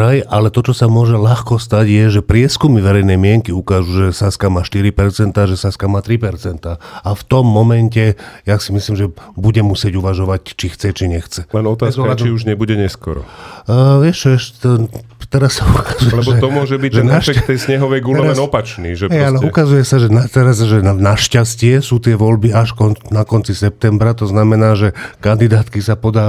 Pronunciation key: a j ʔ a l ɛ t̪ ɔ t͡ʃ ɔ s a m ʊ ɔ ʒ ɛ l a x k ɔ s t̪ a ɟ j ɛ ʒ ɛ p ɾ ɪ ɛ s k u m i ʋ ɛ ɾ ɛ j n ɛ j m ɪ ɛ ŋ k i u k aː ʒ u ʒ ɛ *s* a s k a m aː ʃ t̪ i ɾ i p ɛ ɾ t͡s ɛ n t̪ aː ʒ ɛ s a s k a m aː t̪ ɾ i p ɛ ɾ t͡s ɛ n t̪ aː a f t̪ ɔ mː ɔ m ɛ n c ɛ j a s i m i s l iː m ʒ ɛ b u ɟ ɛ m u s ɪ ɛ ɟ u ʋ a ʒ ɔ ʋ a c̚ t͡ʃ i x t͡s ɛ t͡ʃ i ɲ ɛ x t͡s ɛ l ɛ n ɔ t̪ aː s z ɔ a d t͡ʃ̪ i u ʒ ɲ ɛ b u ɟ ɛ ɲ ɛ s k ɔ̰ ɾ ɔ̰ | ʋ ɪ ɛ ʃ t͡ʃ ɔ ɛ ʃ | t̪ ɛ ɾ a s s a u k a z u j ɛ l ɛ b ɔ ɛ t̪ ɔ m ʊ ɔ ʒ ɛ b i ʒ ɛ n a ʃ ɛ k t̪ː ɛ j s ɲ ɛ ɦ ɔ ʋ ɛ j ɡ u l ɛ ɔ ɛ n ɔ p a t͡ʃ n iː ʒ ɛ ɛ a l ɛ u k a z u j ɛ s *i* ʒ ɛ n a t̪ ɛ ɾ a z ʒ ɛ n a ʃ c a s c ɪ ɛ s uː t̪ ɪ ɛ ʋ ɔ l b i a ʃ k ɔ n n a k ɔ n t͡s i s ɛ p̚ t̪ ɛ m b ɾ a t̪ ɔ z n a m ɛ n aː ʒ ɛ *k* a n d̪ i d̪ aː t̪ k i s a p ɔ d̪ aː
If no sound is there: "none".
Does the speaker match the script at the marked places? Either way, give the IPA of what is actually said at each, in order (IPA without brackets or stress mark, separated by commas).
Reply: s, a, k